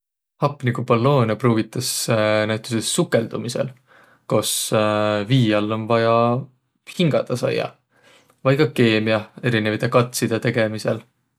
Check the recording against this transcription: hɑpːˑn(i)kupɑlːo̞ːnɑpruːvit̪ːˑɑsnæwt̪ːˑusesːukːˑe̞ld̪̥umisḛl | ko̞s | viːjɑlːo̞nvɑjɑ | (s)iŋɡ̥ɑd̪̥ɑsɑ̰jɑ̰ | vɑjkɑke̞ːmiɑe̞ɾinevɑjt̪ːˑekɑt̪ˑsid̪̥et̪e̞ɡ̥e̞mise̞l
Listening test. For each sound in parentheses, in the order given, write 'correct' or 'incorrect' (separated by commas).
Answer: correct, incorrect